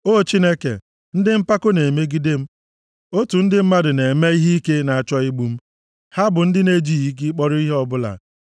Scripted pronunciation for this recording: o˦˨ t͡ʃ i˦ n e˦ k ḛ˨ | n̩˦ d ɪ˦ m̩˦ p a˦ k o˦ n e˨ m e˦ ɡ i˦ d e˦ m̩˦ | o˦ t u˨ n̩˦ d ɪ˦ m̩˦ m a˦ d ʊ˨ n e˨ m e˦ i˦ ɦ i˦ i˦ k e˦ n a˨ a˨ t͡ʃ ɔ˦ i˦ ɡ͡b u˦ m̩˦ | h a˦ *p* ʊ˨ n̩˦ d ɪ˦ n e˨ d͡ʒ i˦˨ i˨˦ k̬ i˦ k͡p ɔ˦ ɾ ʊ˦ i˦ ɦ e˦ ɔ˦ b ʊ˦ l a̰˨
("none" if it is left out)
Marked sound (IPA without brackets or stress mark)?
b